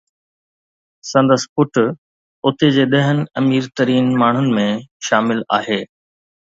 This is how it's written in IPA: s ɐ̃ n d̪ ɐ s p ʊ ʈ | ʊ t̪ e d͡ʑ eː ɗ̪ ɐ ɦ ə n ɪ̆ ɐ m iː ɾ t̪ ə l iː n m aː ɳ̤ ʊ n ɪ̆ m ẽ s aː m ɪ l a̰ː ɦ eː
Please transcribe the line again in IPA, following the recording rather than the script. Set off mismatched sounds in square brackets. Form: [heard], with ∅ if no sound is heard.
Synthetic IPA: s ɐ̃ n d̪ [ə] s p ʊ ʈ | ʊ t̪ e d͡ʑ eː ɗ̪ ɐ ɦ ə n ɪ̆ ɐ m iː ɾ t̪ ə [ɾ] iː n m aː ɳ̤ ʊ n ɪ̆ m ẽ [ʃ] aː m ɪ l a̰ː ɦ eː